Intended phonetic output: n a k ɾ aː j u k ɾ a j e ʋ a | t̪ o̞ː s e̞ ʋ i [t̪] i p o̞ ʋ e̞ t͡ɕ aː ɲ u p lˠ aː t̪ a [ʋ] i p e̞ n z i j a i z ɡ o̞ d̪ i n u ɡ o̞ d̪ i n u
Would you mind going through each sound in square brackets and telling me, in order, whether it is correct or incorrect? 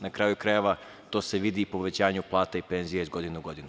incorrect: d̪, incorrect: none

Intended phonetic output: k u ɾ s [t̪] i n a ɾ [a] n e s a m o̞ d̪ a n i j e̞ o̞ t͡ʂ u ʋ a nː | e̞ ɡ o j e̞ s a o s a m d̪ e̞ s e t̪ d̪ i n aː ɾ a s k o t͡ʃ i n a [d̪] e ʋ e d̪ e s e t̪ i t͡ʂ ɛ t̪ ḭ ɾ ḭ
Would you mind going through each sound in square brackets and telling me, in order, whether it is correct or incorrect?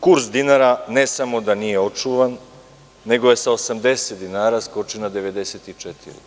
incorrect: d̪, correct, correct

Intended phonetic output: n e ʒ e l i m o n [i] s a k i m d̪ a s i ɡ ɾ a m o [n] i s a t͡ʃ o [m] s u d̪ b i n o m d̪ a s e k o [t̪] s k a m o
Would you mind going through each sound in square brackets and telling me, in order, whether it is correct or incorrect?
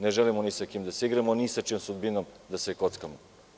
correct, correct, correct, correct

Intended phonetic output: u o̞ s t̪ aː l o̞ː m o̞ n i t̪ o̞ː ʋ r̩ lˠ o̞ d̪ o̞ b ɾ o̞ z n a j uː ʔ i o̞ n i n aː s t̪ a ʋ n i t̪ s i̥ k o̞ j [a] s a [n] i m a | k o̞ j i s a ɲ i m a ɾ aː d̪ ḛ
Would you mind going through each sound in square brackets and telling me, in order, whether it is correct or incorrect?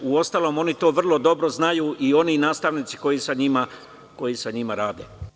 incorrect: i, incorrect: ɲ

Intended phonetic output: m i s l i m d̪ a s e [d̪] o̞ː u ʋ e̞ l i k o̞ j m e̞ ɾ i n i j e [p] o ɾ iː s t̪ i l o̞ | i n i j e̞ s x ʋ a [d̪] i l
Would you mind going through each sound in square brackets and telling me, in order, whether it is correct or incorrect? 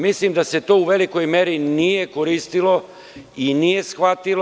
incorrect: t̪, incorrect: k, incorrect: t̪

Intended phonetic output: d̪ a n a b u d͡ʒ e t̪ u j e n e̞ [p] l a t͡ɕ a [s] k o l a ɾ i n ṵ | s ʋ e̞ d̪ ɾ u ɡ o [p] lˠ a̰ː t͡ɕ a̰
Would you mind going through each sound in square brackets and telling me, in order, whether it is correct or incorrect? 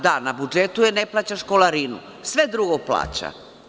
correct, incorrect: ʃ, correct

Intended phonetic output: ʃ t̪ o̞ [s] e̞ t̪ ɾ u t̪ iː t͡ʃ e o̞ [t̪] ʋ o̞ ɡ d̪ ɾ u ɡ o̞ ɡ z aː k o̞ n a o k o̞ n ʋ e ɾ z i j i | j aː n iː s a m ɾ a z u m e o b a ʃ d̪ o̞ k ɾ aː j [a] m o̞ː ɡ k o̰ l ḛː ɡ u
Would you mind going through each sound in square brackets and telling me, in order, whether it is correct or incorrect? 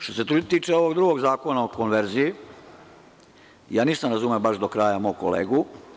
correct, incorrect: none, correct

